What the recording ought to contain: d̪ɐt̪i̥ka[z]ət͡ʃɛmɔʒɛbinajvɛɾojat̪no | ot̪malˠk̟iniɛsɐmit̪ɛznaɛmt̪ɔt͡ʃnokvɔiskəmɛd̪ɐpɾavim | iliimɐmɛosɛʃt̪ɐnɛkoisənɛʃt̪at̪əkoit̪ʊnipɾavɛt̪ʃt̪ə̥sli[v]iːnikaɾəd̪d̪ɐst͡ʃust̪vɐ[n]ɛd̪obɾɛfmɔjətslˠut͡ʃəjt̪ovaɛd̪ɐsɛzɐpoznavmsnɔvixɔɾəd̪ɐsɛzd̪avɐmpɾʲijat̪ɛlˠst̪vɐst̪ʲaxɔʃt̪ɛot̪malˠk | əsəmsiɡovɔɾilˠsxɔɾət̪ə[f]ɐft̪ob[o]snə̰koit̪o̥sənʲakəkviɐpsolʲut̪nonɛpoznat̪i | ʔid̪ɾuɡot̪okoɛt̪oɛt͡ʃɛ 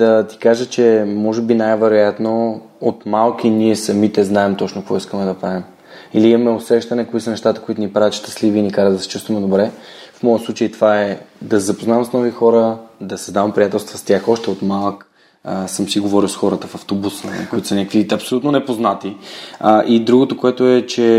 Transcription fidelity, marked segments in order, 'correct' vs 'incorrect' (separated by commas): incorrect, correct, incorrect, correct, incorrect